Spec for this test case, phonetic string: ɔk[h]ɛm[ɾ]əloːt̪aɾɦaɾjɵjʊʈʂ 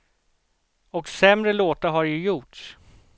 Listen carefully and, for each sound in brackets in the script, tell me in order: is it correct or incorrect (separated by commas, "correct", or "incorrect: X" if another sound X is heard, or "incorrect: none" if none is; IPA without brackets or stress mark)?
incorrect: s, correct